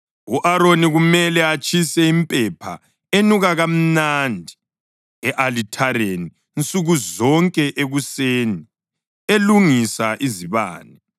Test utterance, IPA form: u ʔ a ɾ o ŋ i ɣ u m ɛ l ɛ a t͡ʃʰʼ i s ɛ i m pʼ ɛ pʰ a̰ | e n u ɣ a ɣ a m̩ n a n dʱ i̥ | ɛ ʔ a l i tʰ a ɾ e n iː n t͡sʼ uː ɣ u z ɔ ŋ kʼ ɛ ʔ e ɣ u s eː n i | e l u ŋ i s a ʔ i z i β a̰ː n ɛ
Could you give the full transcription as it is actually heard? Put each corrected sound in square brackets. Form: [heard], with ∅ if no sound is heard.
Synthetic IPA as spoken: u ʔ a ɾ o [n] i ɣ u m ɛ l ɛ a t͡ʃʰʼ i s ɛ i m pʼ ɛ pʰ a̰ | e n u ɣ a ɣ a m̩ n a n dʱ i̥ | ɛ ʔ a l i tʰ a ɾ e n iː n t͡sʼ [u] ɣ u z ɔ ŋ kʼ ɛ ʔ e ɣ u s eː n i | e l u ŋ i s a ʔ i z i β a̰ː n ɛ

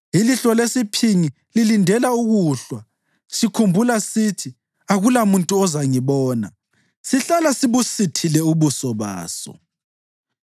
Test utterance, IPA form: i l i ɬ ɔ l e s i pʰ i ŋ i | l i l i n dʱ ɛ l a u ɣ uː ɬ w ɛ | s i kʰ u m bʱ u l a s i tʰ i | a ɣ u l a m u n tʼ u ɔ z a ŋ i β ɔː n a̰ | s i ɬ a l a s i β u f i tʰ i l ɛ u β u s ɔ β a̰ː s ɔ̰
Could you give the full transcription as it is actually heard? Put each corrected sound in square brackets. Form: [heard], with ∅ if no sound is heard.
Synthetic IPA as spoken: i l i ɬ ɔ l e s i pʰ i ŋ i | l i l i n dʱ ɛ l a u ɣ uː ɬ w [a] | s i kʰ u m bʱ u l a s i tʰ i | a ɣ u l a m u n tʼ u ɔ z a ŋ i β ɔː n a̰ | s i ɬ a l a s i β u [s] i tʰ i l ɛ u β u s ɔ β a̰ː s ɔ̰

